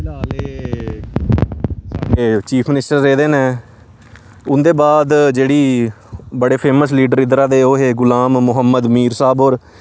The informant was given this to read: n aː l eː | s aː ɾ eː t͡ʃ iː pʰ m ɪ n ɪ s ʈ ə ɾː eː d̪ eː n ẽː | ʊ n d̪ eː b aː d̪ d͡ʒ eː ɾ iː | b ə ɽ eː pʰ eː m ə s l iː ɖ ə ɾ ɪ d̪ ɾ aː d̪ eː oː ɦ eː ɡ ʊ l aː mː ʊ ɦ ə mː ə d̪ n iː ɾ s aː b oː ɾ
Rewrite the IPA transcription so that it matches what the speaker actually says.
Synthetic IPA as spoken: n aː l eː | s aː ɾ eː t͡ʃ iː pʰ m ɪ n ɪ s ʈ ə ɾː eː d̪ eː n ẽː | ʊ n d̪ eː b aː d̪ d͡ʒ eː ɽ iː | b ə ɽ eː pʰ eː m ə s l iː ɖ ə ɾ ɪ d̪ ɾ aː d̪ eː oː ɦ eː ɡ ʊ l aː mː ʊ ɦ ə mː ə d̪ m iː ɾ s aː b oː ɾ

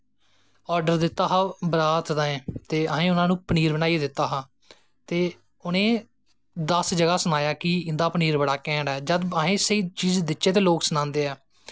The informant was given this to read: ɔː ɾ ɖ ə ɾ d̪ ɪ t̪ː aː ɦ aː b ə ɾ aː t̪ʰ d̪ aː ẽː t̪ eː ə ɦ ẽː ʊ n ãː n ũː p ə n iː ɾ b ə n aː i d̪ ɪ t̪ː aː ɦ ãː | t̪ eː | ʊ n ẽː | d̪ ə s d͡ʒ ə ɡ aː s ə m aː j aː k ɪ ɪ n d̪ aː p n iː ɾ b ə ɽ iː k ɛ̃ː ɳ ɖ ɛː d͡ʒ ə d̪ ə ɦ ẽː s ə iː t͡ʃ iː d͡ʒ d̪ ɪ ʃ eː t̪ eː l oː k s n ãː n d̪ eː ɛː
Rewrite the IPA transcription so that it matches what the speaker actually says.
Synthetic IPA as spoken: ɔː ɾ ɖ ə ɾ d̪ ɪ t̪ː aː ɦ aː b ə ɾ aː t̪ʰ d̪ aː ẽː t̪ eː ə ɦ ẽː ʊ n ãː n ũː p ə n iː ɾ b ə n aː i d̪ ɪ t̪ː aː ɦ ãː | t̪ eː | ʊ n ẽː | d̪ ə s d͡ʒ ə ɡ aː s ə n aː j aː k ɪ ɪ n d̪ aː p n iː ɾ b ə ɽ aː k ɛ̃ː ɳ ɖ ɛː d͡ʒ ə d̪ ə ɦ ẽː s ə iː t͡ʃ iː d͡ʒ d̪ ɪ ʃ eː t̪ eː l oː k s n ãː n d̪ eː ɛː

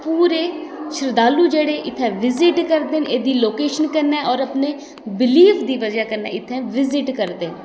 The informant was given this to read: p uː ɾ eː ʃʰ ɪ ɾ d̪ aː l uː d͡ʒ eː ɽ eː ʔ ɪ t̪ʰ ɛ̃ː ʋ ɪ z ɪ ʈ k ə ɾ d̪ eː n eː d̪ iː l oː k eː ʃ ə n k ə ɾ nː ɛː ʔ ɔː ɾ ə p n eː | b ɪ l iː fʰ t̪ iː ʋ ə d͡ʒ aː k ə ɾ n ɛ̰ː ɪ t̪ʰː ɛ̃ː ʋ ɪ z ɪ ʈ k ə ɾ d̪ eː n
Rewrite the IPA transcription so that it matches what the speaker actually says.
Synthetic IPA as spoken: p uː ɾ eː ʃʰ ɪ ɾ d̪ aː l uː d͡ʒ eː ɽ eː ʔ ɪ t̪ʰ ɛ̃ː ʋ ɪ z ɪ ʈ k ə ɾ d̪ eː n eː d̪ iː l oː k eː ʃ ə n k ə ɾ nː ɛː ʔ ɔː ɾ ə p n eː | b ɪ l iː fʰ d̪ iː ʋ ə d͡ʒ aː k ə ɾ n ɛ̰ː ɪ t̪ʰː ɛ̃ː ʋ ɪ z ɪ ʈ k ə ɾ d̪ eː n

